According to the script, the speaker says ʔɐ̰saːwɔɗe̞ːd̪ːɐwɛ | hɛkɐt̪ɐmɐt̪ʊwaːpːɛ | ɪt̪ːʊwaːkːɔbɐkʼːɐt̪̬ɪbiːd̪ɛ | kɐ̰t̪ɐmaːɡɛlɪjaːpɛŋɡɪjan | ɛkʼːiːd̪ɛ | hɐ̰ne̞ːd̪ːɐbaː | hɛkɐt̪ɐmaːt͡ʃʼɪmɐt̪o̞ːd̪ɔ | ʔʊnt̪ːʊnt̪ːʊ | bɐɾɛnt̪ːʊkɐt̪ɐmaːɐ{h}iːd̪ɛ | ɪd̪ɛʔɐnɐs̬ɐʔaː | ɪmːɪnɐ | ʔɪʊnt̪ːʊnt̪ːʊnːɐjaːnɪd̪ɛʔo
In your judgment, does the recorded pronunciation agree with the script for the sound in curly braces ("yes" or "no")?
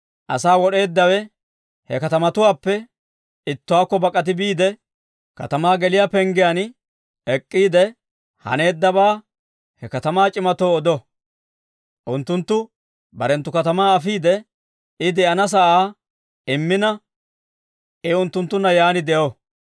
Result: no